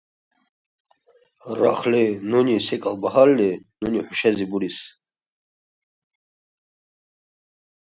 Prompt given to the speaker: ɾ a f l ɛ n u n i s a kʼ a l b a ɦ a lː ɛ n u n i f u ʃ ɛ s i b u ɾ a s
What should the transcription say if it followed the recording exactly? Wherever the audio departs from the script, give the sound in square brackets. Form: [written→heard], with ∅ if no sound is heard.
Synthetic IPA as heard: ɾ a [f→χ] l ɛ n u n i s [a→ɛ] kʼ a l b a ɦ a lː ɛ n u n i [f→ħ] u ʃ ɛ [s→z] i b u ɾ [a→i] s